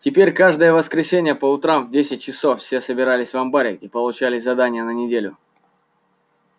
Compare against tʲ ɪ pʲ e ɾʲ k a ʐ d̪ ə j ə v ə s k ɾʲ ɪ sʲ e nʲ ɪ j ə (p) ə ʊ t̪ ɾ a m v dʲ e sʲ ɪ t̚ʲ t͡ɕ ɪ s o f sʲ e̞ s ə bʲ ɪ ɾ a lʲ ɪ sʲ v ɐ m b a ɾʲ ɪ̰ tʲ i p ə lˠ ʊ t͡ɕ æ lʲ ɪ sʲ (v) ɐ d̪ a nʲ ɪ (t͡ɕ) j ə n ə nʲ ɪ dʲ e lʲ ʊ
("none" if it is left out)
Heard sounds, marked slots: p, z, none

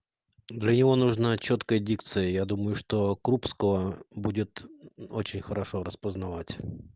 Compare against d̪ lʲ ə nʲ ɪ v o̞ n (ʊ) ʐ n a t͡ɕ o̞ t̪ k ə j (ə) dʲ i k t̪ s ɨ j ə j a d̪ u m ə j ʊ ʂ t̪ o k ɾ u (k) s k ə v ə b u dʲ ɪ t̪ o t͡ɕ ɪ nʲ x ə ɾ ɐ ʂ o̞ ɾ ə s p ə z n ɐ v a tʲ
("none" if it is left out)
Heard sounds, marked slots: u, ə, p

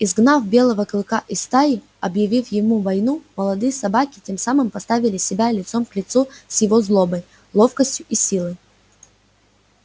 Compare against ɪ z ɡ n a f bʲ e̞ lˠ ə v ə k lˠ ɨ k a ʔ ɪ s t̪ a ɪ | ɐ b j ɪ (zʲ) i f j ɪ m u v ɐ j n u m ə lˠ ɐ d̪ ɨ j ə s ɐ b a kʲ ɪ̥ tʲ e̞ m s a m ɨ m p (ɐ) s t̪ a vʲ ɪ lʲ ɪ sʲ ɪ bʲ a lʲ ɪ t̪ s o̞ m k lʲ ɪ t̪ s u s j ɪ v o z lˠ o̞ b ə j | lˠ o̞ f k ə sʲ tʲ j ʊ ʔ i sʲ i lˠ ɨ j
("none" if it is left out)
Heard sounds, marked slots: vʲ, ɐ

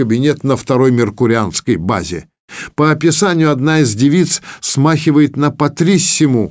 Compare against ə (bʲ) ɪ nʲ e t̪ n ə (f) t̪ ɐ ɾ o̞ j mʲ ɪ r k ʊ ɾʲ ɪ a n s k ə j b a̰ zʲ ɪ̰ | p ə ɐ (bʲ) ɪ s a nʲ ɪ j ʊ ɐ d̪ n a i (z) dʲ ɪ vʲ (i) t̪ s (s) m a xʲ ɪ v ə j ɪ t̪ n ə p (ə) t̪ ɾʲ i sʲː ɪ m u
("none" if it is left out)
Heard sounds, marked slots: bʲ, f, pʲ, z, i, s, ɐ

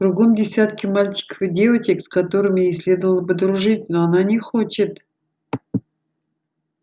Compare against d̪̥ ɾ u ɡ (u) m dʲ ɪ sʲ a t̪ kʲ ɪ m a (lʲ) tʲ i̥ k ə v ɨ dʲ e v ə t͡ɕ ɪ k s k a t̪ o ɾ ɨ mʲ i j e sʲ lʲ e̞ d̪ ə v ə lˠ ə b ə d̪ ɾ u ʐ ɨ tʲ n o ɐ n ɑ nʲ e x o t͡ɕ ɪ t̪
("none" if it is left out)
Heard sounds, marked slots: o, lʲ

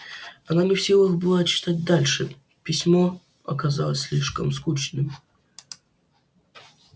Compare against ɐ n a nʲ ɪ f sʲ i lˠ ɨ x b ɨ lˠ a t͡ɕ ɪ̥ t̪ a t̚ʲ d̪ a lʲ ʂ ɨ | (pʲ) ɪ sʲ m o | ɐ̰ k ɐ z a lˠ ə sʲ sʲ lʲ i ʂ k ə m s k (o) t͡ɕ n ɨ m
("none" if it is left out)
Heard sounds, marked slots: pʲ, u

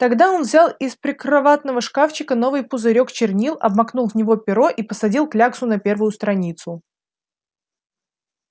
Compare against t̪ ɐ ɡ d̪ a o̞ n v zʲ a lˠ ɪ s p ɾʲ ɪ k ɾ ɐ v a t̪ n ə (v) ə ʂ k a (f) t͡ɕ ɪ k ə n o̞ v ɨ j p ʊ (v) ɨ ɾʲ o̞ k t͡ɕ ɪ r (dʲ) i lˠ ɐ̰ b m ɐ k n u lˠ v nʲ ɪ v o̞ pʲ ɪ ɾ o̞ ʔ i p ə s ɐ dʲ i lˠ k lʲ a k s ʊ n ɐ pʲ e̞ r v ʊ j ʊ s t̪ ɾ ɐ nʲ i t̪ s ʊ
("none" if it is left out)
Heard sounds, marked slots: v, f, z, nʲ

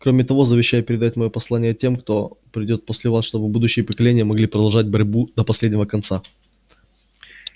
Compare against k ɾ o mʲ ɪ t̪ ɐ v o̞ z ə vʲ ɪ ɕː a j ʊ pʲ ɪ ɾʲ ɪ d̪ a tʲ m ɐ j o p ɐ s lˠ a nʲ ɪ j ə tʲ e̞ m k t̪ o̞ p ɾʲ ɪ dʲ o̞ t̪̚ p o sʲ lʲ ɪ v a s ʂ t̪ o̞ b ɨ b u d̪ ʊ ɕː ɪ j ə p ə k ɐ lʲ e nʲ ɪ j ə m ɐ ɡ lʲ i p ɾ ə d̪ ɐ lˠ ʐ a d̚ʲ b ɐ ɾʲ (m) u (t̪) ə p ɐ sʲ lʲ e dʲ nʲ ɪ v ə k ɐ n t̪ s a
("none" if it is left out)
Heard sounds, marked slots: b, d̪

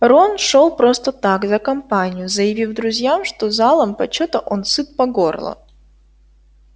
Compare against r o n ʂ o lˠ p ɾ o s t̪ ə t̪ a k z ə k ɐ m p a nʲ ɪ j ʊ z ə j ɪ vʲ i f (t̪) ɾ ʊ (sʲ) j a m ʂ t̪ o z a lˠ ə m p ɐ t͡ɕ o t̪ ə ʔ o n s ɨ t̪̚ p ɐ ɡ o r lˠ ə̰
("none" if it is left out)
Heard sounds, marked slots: d̪, zʲ

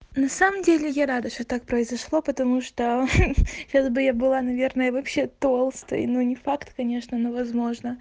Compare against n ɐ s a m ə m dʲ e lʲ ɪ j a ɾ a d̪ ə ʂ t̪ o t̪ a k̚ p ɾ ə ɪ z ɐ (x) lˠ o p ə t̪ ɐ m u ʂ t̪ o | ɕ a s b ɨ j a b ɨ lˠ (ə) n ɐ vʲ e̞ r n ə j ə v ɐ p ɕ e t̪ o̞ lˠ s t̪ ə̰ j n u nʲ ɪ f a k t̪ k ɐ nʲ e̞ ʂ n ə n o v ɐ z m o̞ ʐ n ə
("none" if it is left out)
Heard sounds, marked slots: ʂ, a

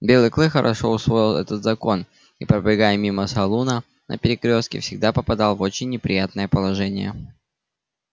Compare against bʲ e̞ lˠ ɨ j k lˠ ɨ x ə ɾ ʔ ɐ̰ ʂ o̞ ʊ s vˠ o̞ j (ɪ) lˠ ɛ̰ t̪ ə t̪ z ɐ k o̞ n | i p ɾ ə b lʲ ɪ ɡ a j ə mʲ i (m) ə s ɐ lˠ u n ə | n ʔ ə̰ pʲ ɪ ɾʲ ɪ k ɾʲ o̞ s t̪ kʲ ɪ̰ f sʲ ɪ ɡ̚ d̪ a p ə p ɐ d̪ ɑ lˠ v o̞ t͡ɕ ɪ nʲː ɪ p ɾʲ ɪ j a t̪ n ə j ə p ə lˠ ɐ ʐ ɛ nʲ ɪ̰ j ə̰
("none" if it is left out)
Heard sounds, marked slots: ɪ, m

